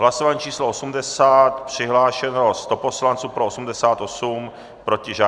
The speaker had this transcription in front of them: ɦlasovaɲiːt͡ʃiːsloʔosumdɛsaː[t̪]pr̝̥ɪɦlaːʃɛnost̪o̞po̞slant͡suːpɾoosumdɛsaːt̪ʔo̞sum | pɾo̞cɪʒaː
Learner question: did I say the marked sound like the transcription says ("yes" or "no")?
yes